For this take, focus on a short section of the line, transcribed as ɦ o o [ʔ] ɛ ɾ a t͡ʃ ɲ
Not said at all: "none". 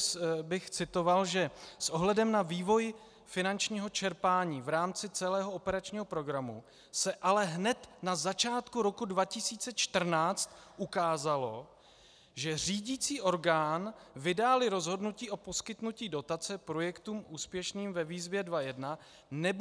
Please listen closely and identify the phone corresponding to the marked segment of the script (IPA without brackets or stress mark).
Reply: p